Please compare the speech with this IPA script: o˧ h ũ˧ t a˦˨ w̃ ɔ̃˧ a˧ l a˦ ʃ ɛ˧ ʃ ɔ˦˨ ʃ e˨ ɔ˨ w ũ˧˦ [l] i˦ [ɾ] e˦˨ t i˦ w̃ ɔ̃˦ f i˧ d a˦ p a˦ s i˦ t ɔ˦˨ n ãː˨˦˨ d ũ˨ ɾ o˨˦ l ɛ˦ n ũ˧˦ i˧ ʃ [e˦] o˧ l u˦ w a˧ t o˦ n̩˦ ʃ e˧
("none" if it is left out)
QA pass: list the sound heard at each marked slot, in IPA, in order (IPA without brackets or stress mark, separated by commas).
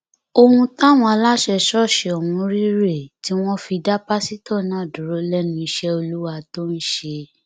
ɾ, ɾ, ɛ˦